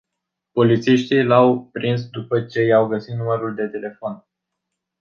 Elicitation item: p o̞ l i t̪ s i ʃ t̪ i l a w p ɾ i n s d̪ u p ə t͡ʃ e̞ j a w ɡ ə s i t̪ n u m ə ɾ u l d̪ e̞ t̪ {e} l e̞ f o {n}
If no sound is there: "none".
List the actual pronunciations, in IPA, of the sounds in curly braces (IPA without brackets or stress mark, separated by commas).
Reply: e, n